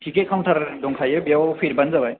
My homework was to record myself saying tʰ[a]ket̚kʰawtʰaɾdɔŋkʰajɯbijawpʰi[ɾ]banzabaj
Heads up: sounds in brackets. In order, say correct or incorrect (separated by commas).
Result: incorrect, correct